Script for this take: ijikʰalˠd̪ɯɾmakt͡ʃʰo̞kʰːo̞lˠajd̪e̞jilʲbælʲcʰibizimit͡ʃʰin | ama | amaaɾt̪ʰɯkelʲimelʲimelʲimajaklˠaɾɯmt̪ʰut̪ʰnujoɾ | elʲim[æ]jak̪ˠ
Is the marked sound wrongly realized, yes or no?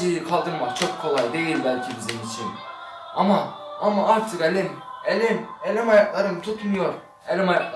yes